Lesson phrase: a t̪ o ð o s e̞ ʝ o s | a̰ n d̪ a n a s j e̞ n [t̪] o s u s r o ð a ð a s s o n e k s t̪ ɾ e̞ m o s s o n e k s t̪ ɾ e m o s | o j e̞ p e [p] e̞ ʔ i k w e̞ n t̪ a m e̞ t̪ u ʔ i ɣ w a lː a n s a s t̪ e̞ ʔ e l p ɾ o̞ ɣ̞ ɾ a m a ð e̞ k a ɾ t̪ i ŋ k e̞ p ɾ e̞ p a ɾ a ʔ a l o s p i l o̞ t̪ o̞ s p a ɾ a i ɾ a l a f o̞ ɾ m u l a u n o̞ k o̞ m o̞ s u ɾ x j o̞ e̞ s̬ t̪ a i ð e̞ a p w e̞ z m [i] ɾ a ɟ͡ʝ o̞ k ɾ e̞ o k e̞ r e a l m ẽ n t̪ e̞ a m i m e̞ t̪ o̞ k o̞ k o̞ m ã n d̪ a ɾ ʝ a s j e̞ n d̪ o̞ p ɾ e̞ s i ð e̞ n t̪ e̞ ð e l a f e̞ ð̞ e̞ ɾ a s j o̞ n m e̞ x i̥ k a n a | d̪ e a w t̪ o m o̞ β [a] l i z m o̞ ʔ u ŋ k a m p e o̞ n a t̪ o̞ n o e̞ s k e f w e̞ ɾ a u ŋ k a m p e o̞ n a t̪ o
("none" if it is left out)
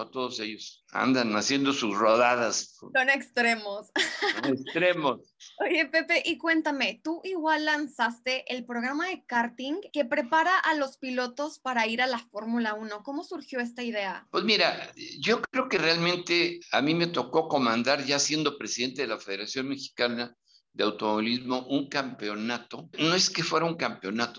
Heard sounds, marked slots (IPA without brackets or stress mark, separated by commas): d̪, p, i, i